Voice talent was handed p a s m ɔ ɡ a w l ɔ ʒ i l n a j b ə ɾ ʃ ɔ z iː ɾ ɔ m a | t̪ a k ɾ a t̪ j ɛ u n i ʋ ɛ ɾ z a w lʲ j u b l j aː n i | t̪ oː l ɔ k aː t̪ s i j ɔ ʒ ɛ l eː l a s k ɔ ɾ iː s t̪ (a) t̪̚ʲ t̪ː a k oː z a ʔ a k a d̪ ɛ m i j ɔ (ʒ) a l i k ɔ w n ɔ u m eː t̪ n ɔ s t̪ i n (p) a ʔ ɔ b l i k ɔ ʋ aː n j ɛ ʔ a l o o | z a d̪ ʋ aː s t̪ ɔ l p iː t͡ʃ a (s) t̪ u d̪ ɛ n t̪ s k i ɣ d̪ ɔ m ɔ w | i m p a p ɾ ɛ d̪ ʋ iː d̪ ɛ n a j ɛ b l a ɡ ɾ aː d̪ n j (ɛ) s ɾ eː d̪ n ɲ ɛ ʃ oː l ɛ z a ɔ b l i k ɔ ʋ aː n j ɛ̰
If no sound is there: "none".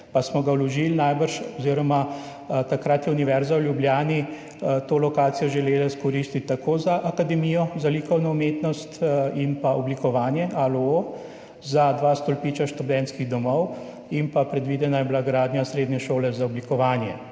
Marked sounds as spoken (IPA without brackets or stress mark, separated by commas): i, z, p, ʃ, a